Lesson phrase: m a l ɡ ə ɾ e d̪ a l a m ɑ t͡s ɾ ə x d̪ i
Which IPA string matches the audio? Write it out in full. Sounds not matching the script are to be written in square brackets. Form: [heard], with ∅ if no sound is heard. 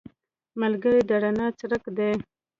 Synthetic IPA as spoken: m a l ɡ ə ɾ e d̪ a [ɽ] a [n] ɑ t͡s ɾ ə [k] d̪ [e]